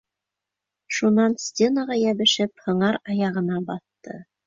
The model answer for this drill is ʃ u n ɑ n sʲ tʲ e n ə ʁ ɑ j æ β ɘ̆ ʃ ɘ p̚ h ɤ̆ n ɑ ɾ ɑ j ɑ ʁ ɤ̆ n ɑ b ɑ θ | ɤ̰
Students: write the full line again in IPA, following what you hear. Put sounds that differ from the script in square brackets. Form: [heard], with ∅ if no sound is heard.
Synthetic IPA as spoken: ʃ u n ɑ n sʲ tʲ e n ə ʁ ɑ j æ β ɘ̆ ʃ ɘ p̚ h ɤ̆ [ɴ] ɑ ɾ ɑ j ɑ ʁ ɤ̆ n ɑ b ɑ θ | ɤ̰